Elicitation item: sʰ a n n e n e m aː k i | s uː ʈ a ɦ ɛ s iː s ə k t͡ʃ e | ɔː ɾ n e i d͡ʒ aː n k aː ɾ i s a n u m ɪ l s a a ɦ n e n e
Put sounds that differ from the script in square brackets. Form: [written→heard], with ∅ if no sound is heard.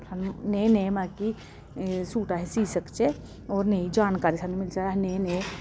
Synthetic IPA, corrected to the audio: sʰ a n n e n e m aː k i | s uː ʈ a ɦ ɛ s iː s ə k t͡ʃ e | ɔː ɾ n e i d͡ʒ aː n k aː ɾ i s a n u m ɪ l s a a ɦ n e n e